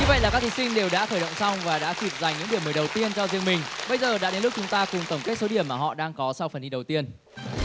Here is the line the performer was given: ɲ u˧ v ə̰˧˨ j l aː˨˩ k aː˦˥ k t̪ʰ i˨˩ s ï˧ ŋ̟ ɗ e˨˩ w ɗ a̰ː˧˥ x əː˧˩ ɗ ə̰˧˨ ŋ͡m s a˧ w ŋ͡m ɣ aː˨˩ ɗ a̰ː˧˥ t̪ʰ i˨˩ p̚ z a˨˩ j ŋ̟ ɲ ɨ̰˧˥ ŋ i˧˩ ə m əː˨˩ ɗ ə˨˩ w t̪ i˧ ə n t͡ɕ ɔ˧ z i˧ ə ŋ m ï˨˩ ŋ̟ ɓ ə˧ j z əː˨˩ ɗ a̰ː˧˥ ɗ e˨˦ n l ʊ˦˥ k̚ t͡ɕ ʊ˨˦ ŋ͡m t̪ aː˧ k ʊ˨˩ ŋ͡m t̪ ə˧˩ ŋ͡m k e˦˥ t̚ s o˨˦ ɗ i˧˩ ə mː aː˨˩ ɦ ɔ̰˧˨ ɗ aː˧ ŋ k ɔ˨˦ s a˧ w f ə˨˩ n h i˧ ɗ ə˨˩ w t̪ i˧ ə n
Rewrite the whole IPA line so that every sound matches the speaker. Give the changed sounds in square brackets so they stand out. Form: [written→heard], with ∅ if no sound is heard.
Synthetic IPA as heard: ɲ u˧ v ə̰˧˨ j l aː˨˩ k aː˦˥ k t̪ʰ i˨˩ s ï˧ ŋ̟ ɗ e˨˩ w ɗ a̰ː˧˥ x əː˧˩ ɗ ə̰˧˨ ŋ͡m s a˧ w ŋ͡m [ɣ→v] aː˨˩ ɗ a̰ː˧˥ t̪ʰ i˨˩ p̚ z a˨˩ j ŋ̟ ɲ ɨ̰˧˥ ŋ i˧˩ ə m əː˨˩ ɗ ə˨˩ w t̪ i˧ ə n t͡ɕ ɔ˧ z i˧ ə ŋ m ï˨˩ ŋ̟ ɓ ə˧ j z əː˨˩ ɗ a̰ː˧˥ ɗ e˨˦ n l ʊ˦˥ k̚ t͡ɕ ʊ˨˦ ŋ͡m t̪ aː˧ k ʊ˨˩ ŋ͡m t̪ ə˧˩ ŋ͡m k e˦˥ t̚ s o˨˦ ɗ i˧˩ ə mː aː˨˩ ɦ ɔ̰˧˨ ɗ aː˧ ŋ k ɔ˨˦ s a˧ w f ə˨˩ n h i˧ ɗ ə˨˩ w t̪ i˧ ə n

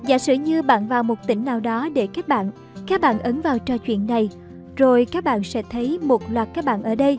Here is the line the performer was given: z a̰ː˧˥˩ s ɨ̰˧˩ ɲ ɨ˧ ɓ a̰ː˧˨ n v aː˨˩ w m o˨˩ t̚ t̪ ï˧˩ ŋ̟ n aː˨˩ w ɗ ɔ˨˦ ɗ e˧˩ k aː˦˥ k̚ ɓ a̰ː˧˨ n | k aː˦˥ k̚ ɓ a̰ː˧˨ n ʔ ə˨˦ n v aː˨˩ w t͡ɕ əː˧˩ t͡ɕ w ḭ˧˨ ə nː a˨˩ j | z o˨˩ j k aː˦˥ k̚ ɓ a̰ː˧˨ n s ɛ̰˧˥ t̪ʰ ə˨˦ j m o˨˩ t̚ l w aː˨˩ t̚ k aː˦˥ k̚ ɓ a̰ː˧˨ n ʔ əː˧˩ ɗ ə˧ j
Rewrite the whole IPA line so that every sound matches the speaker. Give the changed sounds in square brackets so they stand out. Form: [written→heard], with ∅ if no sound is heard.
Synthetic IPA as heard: z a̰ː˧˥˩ s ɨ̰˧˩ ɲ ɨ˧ ɓ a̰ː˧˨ n v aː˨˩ w m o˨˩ t̚ t̪ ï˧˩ ŋ̟ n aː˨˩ w ɗ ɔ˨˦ ɗ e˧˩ k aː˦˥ k̚ ɓ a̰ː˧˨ n | k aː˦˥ k̚ ɓ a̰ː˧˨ n ʔ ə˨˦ n v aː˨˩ w t͡ɕ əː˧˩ t͡ɕ w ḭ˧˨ ə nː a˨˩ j | z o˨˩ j k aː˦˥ k̚ ɓ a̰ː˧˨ n s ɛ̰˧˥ t̪ʰ ə˨˦ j m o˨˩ t̚ l w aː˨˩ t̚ k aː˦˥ k̚ ɓ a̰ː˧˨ n ʔ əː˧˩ ɗ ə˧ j

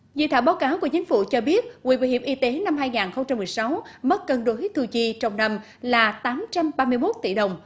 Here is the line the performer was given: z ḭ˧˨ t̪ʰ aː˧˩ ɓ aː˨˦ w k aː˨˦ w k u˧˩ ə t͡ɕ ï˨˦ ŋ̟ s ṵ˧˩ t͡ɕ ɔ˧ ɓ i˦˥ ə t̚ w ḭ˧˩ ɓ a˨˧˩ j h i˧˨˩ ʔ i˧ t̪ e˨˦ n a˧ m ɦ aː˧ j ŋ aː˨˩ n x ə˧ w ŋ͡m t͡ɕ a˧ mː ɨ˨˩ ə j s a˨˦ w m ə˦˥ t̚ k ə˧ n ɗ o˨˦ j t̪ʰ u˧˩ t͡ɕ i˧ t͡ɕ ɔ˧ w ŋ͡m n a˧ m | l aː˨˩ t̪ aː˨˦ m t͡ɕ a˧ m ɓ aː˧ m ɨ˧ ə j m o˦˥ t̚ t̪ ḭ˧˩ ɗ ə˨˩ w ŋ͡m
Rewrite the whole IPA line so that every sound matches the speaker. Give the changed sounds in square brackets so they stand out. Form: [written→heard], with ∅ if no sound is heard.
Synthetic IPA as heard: z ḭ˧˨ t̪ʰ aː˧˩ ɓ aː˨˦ w k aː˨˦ w k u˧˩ ə t͡ɕ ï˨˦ ŋ̟ [s→f] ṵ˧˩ t͡ɕ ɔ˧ ɓ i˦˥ ə t̚ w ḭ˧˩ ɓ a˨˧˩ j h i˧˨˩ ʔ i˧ t̪ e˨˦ n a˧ m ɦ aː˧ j ŋ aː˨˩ n x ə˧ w ŋ͡m t͡ɕ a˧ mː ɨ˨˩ ə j s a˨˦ w m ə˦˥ t̚ k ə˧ n ɗ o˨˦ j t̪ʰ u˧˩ t͡ɕ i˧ t͡ɕ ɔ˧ w ŋ͡m n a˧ m | l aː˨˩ t̪ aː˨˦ m t͡ɕ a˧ m ɓ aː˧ m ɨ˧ ə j m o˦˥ t̚ t̪ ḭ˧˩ ɗ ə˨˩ w ŋ͡m

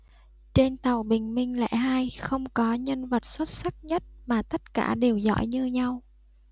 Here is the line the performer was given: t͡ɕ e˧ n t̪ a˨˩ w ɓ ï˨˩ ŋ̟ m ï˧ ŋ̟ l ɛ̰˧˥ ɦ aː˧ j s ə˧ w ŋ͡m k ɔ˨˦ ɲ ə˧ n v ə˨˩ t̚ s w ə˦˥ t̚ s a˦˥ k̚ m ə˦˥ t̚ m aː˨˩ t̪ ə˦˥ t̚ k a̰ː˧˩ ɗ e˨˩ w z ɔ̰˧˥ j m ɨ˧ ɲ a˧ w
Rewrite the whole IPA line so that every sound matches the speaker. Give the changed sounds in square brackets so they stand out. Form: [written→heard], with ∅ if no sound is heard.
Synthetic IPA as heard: t͡ɕ e˧ n t̪ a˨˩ w ɓ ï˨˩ ŋ̟ m ï˧ ŋ̟ l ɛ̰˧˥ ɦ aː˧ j [s→x] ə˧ w ŋ͡m k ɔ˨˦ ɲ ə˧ n v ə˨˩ t̚ s w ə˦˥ t̚ s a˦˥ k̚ [m→ɲ] ə˦˥ t̚ m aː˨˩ t̪ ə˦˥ t̚ k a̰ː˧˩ ɗ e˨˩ w z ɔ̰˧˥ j [m→ɲ] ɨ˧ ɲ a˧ w

